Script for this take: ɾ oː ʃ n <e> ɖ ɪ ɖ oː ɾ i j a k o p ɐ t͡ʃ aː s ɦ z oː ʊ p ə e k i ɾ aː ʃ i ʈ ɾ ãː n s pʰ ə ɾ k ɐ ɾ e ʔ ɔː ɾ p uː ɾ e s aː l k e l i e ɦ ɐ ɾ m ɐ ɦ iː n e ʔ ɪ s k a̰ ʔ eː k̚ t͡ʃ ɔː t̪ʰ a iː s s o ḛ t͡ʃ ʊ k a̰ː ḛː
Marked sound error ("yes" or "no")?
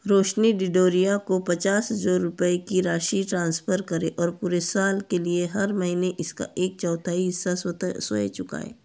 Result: yes